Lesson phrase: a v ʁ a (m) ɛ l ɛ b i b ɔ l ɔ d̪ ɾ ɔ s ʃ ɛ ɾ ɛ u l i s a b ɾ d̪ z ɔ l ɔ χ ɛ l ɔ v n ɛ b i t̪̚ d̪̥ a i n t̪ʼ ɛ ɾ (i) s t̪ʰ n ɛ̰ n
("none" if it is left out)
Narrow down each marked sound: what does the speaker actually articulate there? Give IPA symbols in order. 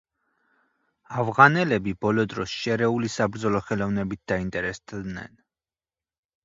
n, ɛ

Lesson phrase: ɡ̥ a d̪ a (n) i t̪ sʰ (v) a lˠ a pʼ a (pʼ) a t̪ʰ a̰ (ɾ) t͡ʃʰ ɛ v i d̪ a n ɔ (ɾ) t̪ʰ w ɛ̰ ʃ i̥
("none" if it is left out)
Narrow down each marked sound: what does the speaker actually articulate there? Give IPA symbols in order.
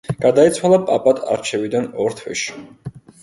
none, w, pʼ, ɾ, ɾ

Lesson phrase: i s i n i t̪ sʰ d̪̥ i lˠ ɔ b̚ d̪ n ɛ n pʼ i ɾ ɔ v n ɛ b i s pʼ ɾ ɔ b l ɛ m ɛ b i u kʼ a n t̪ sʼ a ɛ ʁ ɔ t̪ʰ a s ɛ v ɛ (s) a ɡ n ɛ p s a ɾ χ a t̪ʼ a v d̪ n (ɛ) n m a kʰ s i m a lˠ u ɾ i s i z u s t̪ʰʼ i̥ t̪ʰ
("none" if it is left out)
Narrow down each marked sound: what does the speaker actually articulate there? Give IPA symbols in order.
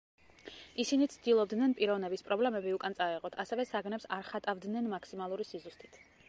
s, ɛ

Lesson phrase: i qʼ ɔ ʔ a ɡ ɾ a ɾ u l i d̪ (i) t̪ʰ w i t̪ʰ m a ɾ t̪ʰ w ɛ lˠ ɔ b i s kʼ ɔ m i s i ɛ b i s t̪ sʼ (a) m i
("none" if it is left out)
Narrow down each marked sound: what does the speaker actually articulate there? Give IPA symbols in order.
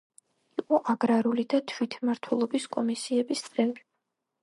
a, ɛ

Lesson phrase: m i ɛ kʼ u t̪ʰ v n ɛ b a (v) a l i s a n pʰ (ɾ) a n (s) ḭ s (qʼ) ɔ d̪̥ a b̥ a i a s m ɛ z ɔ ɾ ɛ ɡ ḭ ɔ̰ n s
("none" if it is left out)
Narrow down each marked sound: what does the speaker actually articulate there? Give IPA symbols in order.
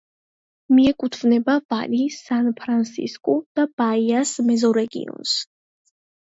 v, ɾ, s, kʼ

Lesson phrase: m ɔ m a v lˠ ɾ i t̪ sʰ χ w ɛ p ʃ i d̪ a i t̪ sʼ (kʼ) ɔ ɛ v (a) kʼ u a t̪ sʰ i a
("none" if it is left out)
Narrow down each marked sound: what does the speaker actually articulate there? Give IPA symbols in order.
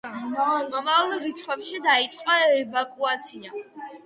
qʼ, a

